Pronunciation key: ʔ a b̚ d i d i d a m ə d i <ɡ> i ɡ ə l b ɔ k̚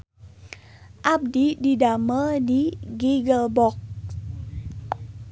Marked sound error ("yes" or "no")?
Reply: no